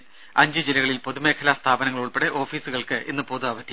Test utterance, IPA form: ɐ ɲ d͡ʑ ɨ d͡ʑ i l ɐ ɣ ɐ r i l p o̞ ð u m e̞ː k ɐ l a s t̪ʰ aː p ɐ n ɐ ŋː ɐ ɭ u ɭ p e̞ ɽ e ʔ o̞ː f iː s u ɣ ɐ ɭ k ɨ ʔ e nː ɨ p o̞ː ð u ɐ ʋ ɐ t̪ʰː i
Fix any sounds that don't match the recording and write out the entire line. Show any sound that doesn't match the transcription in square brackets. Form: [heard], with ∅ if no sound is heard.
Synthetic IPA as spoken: ɐ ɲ d͡ʑ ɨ d͡ʑ i l ɐ ɣ ɐ [ɭ] i l p o̞ ð u m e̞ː [kʰ] ɐ l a s t̪ʰ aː [b] ɐ n ɐ ŋː ɐ ɭ u ɭ p e̞ ɽ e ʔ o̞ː f iː s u ɣ ɐ ɭ k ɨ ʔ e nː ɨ p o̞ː ð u ɐ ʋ ɐ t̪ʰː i